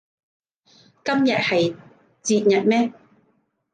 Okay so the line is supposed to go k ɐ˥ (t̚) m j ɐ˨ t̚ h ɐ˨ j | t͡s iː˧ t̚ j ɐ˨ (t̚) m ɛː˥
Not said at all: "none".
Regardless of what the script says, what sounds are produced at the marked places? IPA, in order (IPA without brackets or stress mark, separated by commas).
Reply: none, t̚